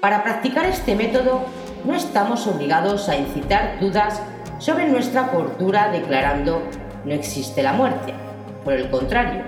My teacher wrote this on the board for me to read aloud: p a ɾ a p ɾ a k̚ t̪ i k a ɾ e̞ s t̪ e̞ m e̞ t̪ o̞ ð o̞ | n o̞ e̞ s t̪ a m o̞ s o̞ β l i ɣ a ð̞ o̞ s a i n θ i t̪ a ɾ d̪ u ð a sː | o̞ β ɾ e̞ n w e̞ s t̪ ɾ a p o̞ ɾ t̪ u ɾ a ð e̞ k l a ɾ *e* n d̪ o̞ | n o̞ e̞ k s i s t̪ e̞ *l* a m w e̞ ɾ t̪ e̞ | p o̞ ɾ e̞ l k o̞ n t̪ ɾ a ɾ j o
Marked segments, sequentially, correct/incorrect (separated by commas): incorrect, correct